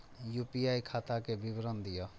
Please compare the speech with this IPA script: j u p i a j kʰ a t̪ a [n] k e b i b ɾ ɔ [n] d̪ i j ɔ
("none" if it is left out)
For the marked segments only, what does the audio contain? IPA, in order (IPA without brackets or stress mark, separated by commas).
none, n